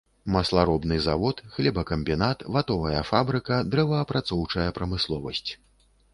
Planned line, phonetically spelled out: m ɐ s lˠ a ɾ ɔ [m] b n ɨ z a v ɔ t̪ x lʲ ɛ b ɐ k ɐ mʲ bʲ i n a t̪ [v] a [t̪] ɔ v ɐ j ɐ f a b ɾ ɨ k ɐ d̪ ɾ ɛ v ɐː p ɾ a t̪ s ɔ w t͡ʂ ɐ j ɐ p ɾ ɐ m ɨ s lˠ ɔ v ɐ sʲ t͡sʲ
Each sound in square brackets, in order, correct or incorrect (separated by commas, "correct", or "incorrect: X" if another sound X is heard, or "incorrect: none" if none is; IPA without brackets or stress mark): incorrect: none, correct, correct